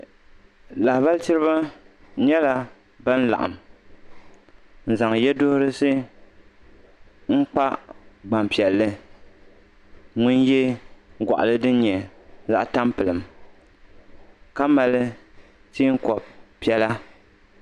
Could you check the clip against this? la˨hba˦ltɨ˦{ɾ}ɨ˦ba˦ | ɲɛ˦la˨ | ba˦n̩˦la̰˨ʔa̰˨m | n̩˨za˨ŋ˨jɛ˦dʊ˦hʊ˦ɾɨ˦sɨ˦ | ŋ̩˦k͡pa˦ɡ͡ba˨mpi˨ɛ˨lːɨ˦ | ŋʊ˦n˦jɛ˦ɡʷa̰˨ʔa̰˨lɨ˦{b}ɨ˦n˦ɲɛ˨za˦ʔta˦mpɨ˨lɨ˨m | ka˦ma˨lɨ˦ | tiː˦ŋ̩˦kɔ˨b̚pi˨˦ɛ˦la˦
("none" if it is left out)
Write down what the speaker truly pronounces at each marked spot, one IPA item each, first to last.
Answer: ɾ, d

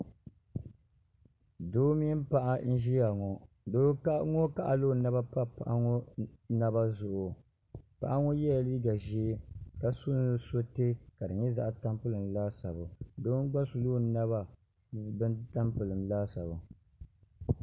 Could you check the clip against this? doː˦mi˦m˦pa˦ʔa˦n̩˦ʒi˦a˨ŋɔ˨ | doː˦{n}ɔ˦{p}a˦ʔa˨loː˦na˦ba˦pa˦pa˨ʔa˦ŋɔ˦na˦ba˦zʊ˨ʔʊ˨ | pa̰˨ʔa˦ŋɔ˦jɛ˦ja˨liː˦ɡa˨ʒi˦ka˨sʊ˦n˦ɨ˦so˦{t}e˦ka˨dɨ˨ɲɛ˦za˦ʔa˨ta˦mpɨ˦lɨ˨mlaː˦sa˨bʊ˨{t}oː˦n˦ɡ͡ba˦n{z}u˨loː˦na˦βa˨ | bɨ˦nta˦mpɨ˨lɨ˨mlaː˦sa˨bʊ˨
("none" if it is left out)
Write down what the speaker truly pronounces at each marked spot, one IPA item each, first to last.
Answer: ŋ, k, t, d, s

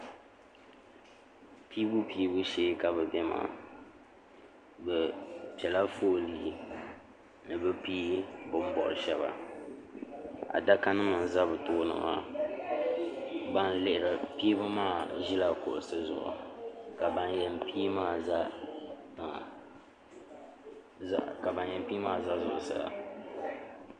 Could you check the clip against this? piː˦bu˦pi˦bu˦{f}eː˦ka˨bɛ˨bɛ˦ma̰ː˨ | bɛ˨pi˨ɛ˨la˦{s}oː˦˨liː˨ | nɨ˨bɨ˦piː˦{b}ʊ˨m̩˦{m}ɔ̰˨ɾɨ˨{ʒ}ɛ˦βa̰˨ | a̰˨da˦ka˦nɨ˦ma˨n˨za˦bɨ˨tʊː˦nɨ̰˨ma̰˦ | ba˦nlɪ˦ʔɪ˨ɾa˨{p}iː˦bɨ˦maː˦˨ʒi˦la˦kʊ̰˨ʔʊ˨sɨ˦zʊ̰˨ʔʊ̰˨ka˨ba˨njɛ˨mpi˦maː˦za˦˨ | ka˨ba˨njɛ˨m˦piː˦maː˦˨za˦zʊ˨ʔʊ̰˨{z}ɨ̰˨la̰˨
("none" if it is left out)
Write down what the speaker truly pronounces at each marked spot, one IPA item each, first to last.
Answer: ʃ, f, b, b, ʃ, p, s

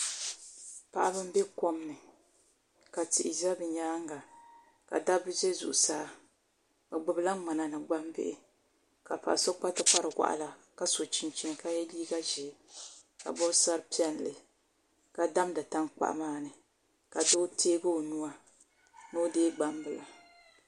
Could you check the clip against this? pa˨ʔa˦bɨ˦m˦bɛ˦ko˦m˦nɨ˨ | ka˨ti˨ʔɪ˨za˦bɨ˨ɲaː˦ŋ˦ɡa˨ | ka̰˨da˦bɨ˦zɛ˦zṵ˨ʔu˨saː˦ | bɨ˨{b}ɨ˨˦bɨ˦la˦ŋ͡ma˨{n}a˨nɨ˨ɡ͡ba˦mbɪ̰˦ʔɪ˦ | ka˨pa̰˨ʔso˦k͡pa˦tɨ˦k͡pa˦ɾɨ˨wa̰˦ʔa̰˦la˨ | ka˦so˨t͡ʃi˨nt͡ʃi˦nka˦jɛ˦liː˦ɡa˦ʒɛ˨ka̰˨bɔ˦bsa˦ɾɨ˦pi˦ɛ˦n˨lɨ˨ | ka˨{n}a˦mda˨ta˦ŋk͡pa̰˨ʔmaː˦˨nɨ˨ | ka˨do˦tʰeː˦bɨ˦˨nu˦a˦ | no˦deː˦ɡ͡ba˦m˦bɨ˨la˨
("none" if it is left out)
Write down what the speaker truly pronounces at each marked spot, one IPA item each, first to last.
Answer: ɡ͡b, n, d

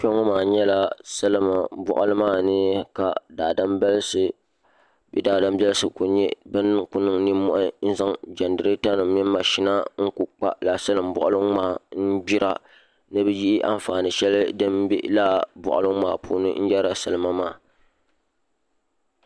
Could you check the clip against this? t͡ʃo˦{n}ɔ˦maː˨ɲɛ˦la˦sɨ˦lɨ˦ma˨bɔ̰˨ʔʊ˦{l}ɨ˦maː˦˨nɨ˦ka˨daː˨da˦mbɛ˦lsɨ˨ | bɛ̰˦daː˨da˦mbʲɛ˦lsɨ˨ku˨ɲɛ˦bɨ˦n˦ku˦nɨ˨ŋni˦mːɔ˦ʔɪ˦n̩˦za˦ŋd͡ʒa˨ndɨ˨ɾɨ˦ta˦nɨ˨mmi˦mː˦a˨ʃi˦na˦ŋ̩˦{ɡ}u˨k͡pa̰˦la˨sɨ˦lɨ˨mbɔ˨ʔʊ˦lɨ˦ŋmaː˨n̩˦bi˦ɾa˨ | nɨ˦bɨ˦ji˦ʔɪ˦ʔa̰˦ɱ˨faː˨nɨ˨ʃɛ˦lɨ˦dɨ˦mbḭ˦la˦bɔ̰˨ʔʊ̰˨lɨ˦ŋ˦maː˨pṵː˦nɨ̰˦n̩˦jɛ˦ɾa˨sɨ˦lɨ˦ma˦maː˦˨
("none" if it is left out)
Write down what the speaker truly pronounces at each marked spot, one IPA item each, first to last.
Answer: ŋ, l, k

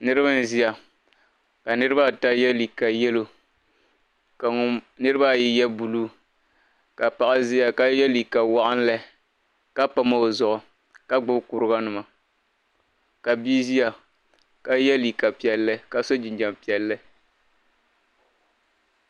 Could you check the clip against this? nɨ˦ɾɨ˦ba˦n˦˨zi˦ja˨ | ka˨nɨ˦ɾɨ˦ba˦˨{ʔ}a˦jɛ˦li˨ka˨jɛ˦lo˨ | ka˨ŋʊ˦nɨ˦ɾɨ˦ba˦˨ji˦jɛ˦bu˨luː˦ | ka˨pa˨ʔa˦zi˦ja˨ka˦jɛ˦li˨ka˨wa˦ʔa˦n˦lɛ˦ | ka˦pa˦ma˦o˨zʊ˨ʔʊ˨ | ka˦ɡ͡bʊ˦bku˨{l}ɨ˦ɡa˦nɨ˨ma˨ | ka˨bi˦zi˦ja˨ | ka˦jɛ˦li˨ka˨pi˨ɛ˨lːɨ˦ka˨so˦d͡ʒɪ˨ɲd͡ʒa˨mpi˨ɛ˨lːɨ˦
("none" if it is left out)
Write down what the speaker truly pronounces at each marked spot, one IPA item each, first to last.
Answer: t, ɾ

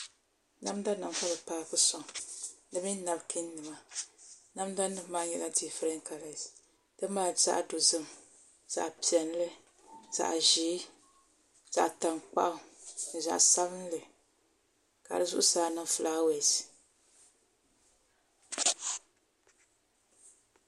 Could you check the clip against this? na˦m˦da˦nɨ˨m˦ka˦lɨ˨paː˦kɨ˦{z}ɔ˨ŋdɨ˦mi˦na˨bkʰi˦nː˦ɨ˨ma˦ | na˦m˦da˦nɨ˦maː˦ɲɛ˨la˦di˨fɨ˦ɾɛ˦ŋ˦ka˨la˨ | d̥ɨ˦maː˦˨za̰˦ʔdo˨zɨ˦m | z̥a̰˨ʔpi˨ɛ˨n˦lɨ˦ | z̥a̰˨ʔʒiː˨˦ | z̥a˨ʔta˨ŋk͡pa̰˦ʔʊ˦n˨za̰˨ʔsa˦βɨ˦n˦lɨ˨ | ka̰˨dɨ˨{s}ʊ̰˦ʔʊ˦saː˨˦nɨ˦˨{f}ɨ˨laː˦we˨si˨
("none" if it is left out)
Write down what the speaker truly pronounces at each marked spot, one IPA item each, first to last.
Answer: s, z, f

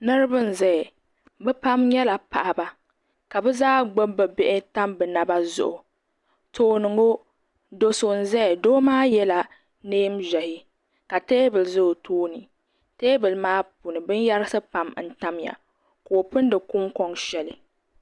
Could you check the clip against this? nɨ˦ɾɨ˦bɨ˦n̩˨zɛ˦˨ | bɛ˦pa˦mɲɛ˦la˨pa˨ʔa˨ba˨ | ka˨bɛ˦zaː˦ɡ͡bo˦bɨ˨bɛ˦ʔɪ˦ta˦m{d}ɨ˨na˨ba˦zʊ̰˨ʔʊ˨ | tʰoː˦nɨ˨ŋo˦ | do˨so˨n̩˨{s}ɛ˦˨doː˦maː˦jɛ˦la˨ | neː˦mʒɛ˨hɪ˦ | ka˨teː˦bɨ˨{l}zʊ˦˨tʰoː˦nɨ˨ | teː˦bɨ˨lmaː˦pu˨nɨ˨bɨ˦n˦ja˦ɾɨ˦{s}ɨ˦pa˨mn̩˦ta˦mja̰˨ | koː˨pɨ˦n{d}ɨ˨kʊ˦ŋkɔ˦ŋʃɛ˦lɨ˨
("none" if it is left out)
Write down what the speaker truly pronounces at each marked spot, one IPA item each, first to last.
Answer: b, z, l, s, d

